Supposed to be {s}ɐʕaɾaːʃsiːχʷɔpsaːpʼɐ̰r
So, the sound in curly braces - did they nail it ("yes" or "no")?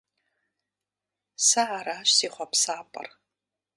yes